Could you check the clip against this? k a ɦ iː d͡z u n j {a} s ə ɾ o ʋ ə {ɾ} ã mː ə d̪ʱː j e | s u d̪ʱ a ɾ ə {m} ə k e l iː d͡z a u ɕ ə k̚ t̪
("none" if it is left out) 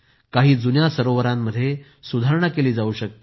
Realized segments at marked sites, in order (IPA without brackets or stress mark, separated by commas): a, ɾ, ɳ